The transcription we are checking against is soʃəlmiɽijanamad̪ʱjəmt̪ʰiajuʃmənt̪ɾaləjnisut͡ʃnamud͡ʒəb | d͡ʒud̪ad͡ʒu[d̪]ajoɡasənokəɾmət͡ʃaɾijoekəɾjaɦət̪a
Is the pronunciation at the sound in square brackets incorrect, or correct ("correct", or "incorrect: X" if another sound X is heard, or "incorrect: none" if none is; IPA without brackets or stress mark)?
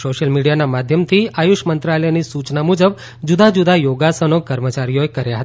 correct